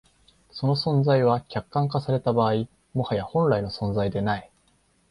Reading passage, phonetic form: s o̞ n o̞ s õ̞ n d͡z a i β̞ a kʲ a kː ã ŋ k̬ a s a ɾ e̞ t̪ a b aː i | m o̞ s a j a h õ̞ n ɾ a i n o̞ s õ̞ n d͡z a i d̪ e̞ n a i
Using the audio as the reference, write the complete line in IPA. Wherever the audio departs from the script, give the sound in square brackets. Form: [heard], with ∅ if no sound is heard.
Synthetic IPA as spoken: s o̞ n o̞ s õ̞ n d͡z a i β̞ a kʲ a kː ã ŋ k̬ a s a ɾ e̞ t̪ a b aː i | m o̞ [h] a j a h õ̞ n ɾ a i n o̞ s õ̞ n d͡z a i d̪ e̞ n a i